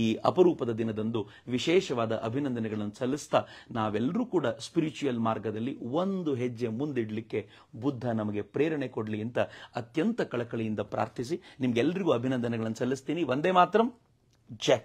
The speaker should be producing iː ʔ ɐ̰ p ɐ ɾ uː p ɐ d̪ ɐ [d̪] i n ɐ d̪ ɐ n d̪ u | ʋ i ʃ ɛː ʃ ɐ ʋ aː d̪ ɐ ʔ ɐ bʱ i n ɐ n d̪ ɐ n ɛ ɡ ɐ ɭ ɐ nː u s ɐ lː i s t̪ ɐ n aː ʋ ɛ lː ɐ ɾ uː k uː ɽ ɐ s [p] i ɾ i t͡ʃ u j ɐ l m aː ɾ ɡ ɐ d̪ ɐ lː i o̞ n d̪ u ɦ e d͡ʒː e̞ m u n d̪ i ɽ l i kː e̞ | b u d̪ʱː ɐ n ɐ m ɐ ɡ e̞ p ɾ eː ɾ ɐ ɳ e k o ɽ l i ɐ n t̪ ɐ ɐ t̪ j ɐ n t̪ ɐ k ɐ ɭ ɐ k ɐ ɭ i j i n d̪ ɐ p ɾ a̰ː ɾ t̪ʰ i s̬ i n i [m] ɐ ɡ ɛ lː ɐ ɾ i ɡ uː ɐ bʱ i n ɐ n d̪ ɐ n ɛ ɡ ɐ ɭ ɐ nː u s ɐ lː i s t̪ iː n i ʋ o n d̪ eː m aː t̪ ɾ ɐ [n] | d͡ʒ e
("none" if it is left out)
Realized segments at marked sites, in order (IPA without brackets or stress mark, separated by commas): d̪, p, m, m